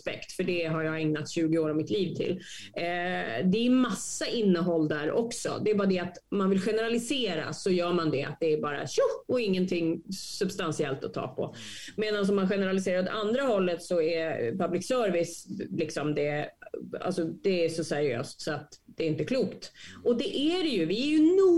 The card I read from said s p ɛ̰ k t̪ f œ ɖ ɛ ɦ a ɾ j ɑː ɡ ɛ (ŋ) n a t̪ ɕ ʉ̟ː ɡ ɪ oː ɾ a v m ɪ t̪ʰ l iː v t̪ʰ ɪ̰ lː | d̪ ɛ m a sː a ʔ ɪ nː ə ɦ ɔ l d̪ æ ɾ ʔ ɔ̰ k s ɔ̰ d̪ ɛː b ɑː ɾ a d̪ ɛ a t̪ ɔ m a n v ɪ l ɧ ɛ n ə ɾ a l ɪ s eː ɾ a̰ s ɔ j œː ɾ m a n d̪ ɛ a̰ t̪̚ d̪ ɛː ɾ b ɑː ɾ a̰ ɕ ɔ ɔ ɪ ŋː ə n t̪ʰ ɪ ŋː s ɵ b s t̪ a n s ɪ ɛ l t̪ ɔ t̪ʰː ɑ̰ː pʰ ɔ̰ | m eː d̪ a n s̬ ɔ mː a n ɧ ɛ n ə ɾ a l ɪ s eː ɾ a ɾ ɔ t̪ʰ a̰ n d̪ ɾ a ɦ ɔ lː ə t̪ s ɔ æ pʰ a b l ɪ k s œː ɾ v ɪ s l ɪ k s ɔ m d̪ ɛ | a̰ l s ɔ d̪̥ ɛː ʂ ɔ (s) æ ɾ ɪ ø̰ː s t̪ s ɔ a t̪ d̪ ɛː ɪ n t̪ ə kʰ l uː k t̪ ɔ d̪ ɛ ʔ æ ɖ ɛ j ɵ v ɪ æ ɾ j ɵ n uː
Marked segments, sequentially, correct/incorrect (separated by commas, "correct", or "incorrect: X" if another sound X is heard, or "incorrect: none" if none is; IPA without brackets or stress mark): correct, correct